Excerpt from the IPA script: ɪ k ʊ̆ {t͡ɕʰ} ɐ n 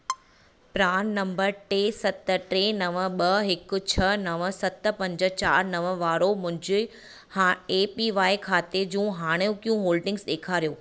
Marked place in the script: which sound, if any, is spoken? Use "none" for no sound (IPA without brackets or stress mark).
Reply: t͡ɕʰ